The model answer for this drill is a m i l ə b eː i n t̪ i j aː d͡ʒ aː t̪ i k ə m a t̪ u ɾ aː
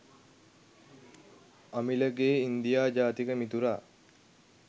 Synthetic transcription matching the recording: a m i l ə ɡ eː i n d̪ i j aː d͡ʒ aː t̪ i k ə m i t̪ u ɾ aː